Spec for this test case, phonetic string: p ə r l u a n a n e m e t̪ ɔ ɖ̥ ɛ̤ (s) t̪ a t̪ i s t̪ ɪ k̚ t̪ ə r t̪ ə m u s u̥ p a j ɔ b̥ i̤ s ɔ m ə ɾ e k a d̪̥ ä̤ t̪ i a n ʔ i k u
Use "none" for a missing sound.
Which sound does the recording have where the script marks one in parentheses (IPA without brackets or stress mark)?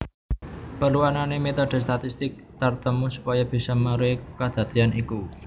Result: s